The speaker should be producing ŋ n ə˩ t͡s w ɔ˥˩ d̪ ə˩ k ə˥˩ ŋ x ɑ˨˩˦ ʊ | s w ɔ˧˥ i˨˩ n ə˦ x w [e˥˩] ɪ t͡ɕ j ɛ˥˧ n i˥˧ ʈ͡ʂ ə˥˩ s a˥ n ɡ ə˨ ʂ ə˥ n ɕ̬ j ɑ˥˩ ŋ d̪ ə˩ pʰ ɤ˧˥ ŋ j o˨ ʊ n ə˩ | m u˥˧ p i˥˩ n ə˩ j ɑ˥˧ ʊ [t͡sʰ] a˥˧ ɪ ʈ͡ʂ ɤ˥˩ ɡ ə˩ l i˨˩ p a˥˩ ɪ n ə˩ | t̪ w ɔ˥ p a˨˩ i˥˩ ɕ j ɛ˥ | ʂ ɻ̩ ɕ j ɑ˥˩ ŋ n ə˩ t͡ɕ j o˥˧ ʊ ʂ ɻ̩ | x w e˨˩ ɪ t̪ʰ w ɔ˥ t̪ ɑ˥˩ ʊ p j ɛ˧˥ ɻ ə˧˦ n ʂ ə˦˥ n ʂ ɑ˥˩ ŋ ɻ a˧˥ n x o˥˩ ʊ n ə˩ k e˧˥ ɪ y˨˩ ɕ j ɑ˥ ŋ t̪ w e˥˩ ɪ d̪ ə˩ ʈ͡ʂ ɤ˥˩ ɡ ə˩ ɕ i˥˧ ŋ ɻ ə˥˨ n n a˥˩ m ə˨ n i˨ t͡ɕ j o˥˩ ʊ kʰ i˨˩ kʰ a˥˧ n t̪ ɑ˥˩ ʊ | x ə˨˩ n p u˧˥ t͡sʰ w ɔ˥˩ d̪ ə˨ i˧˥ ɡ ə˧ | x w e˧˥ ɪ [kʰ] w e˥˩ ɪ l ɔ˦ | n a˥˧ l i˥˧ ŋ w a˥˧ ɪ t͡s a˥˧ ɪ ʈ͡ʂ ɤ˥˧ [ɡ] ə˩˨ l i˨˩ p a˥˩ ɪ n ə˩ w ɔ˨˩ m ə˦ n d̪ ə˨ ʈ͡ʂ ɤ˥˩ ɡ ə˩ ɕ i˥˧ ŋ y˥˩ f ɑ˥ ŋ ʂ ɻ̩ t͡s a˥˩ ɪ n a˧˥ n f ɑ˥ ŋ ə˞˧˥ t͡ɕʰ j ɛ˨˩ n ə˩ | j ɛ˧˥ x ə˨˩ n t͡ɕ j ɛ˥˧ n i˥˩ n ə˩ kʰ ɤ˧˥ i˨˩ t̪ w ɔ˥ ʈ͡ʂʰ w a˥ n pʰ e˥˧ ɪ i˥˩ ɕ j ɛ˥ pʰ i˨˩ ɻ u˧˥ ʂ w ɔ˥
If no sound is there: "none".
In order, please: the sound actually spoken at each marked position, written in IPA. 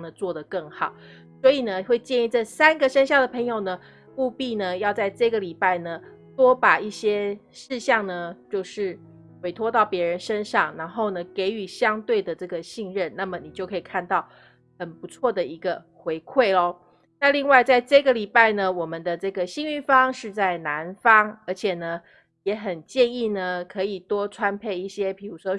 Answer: e˥˧, t͡s, kʰ, ɡ

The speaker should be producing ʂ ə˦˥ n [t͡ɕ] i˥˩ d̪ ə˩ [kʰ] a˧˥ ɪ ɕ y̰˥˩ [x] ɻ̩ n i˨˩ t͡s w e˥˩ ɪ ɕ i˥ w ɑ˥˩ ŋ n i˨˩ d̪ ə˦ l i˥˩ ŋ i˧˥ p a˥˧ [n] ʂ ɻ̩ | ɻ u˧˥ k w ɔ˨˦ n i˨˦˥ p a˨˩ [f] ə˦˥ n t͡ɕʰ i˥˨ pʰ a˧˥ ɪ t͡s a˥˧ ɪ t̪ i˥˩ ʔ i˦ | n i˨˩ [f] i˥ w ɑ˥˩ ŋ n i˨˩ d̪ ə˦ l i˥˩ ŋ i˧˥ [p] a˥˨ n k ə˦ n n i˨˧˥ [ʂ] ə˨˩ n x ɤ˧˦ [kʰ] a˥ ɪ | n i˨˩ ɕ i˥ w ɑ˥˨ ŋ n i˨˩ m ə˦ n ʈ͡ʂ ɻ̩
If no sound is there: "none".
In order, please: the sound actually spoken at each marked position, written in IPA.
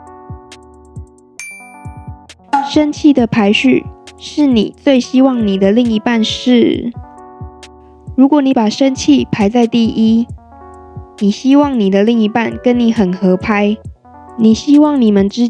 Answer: t͡ɕʰ, pʰ, ʂ, n, ʂ, ɕ, p, x, pʰ

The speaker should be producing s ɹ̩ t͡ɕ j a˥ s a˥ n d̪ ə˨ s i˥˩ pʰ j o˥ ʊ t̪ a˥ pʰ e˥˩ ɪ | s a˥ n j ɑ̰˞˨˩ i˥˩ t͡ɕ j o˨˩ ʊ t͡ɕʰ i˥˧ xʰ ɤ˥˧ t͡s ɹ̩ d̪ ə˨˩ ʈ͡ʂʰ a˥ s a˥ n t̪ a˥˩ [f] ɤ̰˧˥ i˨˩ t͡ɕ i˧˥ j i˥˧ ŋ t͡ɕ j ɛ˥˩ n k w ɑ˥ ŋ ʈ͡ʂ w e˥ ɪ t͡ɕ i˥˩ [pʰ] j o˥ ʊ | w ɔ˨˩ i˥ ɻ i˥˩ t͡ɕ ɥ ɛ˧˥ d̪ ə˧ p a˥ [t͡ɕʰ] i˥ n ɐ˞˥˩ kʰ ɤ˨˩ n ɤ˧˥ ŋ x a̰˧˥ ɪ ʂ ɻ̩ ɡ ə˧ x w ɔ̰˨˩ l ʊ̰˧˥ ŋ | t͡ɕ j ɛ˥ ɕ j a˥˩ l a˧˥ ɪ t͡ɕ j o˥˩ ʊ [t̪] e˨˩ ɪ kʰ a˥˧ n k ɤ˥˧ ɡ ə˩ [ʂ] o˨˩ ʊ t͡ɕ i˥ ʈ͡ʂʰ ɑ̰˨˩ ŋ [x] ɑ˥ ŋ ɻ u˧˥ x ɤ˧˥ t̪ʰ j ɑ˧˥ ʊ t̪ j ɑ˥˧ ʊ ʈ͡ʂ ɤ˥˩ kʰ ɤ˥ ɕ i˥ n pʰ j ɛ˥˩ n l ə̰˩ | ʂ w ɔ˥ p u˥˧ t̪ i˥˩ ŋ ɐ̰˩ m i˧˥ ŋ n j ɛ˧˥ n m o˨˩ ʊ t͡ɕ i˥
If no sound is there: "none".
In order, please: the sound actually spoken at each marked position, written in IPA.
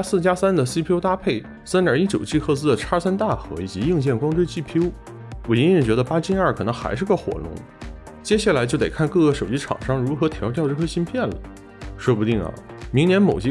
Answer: x, pʰ, t͡ɕ, t̪, ʂ, ʂ

